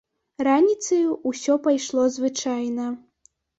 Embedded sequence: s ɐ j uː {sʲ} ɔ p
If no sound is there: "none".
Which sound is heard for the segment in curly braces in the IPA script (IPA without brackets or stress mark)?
sʲ